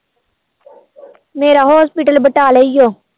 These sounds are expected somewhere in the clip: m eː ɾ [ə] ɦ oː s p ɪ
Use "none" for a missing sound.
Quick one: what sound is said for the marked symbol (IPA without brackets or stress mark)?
a